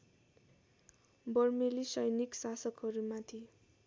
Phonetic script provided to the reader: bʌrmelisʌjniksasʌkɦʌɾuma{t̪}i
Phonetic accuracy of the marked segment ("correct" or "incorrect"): incorrect